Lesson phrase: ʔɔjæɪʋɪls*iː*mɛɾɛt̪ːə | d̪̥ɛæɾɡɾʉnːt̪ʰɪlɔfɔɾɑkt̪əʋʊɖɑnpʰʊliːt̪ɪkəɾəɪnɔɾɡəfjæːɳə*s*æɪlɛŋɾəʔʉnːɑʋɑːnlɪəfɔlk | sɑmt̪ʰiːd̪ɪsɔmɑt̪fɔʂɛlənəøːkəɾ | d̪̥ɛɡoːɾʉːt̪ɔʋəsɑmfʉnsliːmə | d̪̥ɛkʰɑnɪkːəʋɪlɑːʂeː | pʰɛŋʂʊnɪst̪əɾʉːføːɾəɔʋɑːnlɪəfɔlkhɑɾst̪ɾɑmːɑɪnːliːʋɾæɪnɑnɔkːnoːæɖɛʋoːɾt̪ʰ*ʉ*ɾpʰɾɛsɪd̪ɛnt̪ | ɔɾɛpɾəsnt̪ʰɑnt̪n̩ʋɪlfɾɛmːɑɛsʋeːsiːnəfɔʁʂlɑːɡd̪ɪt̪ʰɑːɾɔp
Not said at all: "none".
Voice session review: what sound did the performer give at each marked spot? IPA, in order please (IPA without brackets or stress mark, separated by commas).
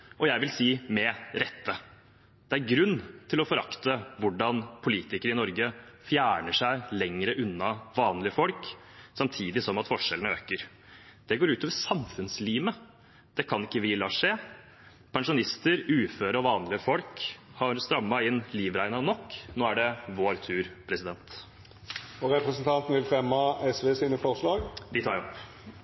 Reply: iː, ʂ, ʉː